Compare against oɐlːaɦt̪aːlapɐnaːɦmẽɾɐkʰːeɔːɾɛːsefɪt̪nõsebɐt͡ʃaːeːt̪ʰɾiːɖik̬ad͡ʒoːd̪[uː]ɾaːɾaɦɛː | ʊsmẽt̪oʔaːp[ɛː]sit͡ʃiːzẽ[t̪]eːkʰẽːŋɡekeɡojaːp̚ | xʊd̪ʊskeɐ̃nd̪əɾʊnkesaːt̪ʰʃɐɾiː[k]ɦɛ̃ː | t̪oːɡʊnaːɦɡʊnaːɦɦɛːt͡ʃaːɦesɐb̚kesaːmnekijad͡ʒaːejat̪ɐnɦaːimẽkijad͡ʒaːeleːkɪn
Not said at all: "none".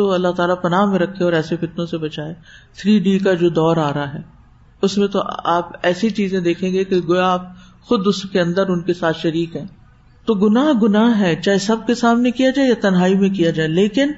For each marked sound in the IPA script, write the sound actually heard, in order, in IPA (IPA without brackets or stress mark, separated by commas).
ɔː, ɛː, d̪, k